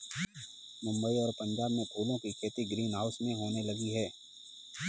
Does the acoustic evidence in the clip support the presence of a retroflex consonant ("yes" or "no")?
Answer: no